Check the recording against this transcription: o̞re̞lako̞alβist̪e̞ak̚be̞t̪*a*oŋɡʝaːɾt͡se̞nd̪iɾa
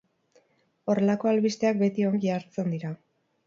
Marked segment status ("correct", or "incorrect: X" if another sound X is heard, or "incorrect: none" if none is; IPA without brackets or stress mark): incorrect: i